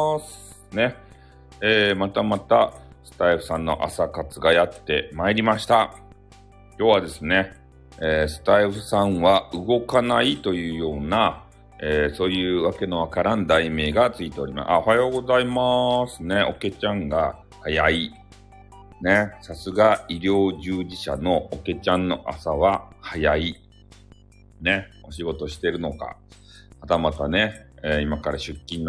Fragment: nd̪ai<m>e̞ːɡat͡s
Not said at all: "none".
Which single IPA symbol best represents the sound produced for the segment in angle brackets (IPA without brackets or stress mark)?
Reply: m